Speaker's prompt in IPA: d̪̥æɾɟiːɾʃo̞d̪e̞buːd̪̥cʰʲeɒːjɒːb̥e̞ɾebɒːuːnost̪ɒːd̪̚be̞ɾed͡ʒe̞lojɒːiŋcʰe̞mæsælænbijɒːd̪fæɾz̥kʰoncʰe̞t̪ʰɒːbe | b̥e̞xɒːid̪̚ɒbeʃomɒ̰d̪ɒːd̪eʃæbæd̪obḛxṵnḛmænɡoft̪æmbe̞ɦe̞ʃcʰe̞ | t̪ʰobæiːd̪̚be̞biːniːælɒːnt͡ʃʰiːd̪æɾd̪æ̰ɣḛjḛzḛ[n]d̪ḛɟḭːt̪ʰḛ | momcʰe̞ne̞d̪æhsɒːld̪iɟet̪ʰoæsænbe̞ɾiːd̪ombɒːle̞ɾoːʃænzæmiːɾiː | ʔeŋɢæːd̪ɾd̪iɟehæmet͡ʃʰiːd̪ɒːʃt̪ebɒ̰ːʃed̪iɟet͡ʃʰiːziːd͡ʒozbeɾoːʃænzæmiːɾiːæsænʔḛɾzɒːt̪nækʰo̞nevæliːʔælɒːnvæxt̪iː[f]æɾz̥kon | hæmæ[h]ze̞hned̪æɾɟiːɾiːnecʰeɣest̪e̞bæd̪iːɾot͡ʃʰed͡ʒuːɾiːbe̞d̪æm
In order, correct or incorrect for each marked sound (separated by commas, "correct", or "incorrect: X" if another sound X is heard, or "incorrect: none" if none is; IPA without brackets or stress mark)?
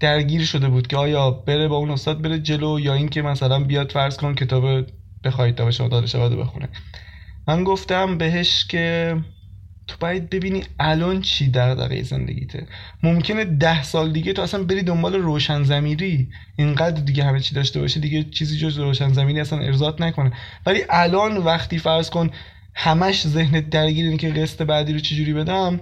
correct, correct, incorrect: ʃ